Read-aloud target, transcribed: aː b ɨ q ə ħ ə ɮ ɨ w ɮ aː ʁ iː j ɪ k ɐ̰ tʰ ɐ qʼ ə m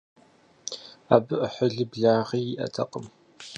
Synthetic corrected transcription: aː b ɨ ʔ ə ħ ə ɮ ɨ b ɮ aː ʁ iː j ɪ ʔ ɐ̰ tʰ ɐ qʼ ə m